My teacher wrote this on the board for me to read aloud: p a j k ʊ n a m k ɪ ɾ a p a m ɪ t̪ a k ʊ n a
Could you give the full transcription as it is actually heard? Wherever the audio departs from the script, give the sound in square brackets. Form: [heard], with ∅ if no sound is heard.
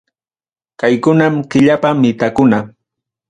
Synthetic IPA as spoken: [k] a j k ʊ n a m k ɪ [ʎ] a p a m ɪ t̪ a k ʊ n a